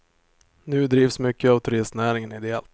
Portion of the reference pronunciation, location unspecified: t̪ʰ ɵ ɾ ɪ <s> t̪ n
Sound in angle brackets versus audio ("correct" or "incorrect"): correct